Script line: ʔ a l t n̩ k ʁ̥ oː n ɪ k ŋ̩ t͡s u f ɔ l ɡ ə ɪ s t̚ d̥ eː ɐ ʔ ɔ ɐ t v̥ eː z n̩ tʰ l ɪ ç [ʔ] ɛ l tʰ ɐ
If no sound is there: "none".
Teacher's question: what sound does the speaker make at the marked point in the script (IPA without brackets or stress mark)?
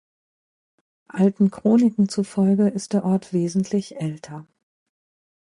ʔ